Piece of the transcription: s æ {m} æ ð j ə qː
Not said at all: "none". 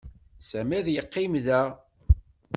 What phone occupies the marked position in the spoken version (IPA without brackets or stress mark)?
m